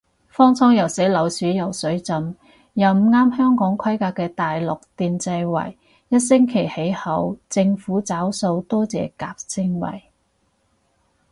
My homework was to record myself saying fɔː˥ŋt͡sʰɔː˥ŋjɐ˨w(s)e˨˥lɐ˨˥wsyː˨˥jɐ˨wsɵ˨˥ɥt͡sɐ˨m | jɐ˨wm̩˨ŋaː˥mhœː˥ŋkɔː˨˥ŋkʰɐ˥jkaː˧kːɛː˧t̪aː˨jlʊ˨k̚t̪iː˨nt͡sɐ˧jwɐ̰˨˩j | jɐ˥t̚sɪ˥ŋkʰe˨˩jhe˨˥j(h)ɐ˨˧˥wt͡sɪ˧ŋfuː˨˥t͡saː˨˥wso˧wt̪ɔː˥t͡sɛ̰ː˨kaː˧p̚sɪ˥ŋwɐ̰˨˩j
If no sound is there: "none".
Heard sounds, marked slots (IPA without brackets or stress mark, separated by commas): s, h